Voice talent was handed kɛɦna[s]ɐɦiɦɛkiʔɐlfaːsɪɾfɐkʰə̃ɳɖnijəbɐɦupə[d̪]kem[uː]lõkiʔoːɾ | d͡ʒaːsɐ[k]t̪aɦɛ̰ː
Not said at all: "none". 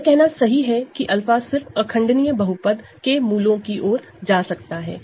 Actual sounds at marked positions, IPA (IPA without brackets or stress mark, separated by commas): s, d̪, uː, k